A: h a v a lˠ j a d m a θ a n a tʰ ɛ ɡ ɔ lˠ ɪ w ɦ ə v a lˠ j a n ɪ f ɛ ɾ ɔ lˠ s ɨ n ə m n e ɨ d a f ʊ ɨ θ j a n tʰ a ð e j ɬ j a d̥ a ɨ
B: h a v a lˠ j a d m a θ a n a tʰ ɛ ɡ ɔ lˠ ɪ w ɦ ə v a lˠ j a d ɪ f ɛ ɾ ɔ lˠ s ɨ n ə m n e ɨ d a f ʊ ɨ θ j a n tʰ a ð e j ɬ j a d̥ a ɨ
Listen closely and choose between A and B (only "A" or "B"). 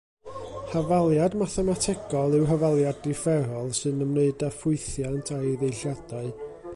B